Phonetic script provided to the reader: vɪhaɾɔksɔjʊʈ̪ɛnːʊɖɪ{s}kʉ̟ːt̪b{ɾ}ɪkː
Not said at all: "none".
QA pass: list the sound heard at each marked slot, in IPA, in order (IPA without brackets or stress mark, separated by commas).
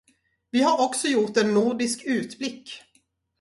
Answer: s, l